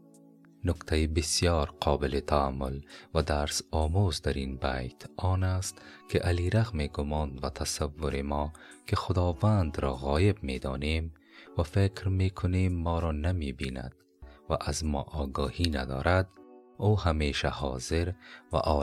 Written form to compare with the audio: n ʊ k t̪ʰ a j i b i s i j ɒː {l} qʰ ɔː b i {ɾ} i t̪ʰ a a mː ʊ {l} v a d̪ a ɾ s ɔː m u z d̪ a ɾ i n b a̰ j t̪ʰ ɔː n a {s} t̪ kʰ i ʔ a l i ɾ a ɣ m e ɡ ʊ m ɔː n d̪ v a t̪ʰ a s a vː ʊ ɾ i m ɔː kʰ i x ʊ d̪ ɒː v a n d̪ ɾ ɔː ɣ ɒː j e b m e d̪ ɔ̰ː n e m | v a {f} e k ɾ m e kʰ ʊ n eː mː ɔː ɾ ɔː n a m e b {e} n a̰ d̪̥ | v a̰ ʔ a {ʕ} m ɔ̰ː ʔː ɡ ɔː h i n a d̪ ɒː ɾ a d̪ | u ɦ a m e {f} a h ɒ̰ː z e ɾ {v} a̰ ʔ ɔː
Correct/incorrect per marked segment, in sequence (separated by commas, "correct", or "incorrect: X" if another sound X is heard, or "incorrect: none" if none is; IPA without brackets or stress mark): incorrect: ɾ, incorrect: l, correct, correct, correct, incorrect: i, incorrect: z, incorrect: ʃ, correct